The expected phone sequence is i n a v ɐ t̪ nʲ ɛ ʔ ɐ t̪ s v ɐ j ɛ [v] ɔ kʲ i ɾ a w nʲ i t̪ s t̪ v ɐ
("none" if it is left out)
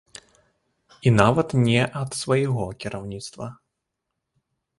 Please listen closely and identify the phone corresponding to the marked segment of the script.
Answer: ɣ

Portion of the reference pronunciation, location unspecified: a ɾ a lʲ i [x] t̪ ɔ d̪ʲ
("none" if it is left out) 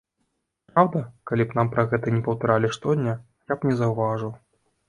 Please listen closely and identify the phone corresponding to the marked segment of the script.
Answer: ʂ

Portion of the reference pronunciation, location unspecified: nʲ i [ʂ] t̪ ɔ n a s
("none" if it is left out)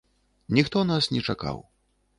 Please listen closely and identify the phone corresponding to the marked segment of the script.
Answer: x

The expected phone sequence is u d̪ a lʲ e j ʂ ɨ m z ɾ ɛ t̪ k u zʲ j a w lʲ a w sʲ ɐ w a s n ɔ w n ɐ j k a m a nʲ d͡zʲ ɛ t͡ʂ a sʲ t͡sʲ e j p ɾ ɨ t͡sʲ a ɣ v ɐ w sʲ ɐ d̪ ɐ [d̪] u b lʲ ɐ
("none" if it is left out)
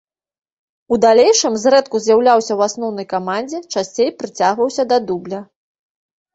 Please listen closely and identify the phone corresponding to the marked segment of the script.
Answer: d̪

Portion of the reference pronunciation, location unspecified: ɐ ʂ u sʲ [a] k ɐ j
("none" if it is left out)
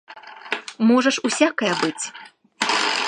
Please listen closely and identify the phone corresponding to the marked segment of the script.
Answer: a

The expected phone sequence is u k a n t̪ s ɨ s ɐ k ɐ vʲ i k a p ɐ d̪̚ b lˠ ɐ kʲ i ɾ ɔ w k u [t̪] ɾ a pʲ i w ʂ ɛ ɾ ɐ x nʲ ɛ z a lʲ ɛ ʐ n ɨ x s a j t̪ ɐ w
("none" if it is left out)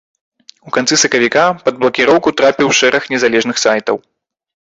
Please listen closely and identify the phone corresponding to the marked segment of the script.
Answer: t̪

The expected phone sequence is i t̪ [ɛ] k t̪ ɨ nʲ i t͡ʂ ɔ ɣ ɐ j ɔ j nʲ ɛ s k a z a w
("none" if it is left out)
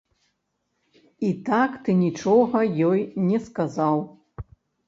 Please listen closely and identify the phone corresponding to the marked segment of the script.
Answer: a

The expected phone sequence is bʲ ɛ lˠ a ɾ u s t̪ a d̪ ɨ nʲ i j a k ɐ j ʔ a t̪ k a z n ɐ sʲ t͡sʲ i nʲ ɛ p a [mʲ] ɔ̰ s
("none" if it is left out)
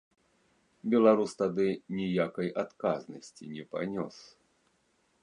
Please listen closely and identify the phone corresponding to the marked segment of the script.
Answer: nʲ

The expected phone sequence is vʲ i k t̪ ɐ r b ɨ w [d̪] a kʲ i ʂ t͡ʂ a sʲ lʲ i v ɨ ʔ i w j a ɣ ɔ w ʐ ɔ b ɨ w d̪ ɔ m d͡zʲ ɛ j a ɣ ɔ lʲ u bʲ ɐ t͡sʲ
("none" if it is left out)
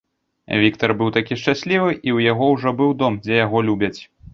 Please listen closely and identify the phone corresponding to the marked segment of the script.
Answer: t̪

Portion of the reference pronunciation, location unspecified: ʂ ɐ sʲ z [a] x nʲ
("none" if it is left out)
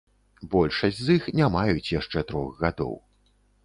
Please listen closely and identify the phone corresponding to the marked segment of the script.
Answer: i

